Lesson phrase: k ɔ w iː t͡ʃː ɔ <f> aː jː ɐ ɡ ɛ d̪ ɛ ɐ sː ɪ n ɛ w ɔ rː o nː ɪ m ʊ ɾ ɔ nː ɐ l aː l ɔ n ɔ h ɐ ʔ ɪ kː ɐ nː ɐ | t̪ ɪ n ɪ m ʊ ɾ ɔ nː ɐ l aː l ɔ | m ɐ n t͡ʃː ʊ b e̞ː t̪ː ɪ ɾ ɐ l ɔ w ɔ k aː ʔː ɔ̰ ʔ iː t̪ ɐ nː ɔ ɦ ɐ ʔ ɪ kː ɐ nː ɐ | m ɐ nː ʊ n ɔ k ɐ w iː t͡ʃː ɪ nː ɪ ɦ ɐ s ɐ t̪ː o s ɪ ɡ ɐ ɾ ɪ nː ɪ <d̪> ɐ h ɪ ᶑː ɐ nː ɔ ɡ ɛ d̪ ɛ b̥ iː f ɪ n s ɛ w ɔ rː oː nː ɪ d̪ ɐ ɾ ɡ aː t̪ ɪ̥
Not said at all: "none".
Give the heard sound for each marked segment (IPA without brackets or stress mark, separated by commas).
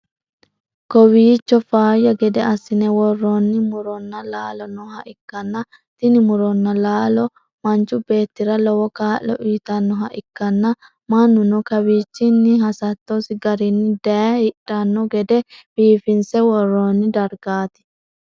f, d̪